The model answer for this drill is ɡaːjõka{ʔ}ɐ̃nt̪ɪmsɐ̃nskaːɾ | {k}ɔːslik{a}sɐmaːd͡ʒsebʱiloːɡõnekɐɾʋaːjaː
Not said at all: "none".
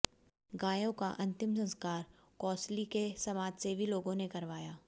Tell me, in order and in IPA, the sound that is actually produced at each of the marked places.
ʔ, k, e

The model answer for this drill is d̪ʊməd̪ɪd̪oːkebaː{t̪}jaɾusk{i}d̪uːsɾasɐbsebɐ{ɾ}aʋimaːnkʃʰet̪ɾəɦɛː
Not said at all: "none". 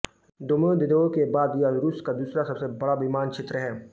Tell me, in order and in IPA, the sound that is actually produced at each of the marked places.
d̪, a, ɽ

